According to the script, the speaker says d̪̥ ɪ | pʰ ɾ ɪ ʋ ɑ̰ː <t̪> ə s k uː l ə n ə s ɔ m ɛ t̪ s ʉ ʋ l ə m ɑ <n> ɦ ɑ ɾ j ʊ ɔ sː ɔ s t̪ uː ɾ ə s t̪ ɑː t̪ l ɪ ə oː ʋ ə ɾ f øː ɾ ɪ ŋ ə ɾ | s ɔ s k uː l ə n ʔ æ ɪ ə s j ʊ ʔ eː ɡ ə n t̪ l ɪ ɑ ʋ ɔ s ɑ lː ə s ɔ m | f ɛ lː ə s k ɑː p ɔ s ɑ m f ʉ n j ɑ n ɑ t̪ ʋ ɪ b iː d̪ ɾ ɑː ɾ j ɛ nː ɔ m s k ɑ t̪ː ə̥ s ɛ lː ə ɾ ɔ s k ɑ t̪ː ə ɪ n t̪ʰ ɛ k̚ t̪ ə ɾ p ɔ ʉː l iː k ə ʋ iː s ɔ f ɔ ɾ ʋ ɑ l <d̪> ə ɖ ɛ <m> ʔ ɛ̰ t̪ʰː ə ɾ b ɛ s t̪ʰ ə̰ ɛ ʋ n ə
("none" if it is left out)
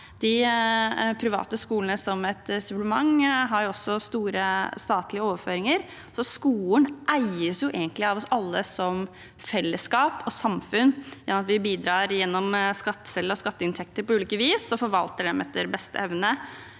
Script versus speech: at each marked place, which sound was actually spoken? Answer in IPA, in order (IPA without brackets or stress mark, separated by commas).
t̪, ŋ, t̪, m